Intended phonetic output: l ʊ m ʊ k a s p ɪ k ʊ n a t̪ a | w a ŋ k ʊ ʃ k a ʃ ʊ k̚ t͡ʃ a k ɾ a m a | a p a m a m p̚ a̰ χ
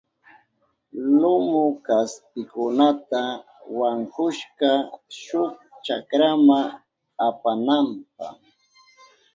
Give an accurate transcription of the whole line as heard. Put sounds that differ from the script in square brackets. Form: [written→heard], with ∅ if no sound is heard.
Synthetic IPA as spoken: l ʊ m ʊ k a s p ɪ k ʊ n a t̪ a | w a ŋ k ʊ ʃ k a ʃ ʊ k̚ t͡ʃ a k ɾ a m a | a p a [m→n] a m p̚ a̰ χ

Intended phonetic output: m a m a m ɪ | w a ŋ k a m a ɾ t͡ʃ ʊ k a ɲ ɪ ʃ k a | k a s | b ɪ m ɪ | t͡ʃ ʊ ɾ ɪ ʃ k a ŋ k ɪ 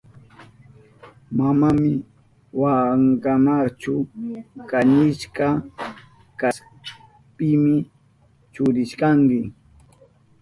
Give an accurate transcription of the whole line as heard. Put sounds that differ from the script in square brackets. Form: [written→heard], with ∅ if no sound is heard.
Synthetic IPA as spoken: m a m a m ɪ | w a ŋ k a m a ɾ t͡ʃ ʊ k a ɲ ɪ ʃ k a | k a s | [b→p] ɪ m ɪ | t͡ʃ ʊ ɾ ɪ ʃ k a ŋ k ɪ

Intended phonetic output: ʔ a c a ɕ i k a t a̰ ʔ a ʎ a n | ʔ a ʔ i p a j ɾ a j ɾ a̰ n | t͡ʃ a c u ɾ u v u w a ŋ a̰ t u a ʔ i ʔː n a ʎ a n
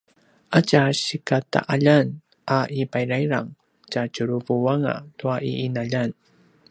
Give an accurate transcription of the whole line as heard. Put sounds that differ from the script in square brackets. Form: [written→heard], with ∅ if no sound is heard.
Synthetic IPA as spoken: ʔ a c a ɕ i k a t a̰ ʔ a ʎ a n | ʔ a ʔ i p a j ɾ a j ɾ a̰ [n→ŋ] | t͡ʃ a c u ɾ u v u w a ŋ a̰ t u a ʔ i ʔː n a ʎ a n

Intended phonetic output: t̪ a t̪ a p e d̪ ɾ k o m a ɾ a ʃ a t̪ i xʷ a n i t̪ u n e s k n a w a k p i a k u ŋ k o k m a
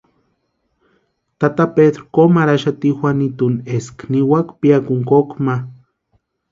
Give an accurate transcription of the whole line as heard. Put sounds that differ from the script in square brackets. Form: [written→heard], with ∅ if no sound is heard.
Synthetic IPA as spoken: t̪ a t̪ a p e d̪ ɾ k o m a ɾ a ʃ a t̪ i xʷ a n i t̪ u n e s k n [a→i] w a k p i a k u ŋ k o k m a

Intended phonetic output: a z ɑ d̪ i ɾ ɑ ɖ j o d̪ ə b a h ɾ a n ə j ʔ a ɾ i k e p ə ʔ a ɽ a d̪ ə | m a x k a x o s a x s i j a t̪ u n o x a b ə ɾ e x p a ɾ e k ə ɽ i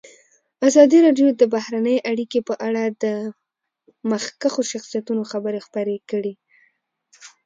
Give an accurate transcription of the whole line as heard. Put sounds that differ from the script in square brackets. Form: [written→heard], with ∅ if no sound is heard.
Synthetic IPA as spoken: a z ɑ d̪ i ɾ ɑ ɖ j o d̪ ə b a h ɾ a n ə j ʔ a [ɾ→ɽ] i k e p ə ʔ a ɽ a d̪ ə | m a x k a x o [s→ʃ] a x s i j a t̪ u n o x a b ə ɾ e x p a ɾ e k ə ɽ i

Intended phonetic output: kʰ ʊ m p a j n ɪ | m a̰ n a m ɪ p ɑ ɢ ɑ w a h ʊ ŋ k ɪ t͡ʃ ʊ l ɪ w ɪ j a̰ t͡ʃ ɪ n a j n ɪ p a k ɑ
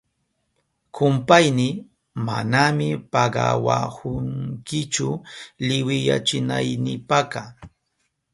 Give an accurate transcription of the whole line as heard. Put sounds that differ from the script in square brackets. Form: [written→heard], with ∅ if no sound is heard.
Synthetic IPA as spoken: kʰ ʊ m p a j n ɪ | m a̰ n a m ɪ p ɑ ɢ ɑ w a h ʊ ŋ k ɪ t͡ʃ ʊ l ɪ w ɪ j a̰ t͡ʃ ɪ n a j n ɪ p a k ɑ

